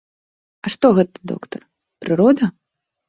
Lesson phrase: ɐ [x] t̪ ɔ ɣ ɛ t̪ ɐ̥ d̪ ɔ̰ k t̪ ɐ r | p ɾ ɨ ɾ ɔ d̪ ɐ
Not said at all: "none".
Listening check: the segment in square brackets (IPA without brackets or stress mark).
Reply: ʂ